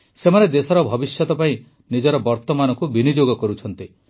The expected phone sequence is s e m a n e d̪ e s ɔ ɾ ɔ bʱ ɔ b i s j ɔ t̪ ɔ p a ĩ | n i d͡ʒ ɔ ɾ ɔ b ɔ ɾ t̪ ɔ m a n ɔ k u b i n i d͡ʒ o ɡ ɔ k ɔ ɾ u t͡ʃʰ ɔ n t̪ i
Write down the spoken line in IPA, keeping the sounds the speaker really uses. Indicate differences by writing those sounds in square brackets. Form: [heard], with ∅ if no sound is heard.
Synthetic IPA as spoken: s e m a n e d̪ e s ɔ ɾ ɔ bʱ ɔ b i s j ɔ t̪ ɔ p a ĩ | n i d͡ʒ ɔ ɾ ɔ b ɔ ɾ t̪ ɔ m a n ɔ k u b i n i d͡ʒ o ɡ ɔ k ɔ ɾ u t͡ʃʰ ɔ n t̪ i